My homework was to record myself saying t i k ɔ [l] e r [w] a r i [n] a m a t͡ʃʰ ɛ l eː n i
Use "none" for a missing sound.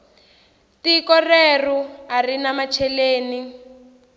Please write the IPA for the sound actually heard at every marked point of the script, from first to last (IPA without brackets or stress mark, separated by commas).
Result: r, u, n